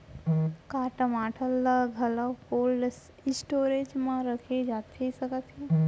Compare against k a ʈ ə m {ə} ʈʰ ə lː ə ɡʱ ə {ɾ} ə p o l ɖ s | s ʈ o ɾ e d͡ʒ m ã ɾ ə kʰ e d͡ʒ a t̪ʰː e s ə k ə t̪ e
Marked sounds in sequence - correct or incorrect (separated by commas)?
incorrect, incorrect